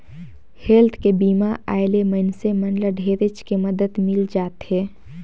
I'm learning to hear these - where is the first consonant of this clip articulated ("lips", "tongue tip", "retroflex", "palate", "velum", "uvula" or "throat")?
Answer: throat